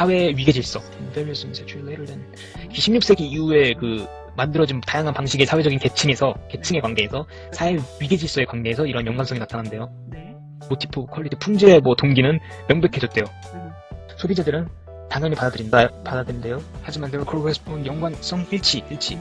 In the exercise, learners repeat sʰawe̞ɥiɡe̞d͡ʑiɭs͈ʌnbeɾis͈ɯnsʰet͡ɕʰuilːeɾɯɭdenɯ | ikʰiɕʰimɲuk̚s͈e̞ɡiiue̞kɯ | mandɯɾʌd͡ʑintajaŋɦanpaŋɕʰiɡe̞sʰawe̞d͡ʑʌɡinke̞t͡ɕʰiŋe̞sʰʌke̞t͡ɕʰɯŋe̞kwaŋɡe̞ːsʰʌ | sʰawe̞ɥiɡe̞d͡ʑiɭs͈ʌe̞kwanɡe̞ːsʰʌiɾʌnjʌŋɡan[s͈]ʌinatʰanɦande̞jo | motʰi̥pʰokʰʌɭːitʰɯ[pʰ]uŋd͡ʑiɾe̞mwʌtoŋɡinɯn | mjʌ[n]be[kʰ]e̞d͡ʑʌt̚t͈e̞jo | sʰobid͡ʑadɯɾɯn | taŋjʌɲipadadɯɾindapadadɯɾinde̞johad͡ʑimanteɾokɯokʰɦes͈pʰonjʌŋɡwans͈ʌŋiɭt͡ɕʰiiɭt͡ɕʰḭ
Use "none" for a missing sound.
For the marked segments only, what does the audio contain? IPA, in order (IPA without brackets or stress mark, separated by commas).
s͈, pʰ, ŋ, kʰ